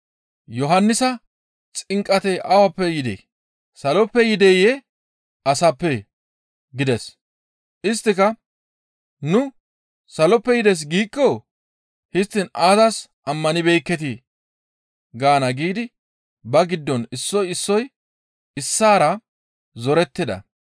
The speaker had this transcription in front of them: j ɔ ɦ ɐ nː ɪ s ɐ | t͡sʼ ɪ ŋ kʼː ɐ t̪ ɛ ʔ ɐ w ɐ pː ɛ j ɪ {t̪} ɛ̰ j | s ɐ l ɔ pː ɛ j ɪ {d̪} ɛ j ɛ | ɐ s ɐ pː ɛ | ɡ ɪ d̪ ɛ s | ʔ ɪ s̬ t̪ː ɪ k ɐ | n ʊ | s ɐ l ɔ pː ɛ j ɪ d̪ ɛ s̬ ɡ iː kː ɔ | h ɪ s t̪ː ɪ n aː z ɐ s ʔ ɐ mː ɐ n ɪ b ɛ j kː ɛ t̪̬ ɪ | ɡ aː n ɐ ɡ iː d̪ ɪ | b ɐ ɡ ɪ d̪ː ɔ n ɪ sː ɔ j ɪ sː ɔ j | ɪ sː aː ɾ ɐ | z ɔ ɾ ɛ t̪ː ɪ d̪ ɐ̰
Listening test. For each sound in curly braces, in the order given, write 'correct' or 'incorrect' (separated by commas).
incorrect, correct